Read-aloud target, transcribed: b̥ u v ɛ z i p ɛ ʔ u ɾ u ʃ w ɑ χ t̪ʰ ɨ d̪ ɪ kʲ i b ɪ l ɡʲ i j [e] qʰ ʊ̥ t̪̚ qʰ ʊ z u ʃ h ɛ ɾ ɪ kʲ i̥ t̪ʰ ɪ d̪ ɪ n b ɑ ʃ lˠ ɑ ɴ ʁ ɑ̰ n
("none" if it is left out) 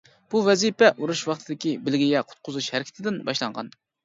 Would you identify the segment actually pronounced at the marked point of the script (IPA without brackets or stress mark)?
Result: ɛ